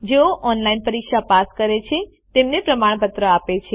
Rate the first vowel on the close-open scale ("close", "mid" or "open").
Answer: mid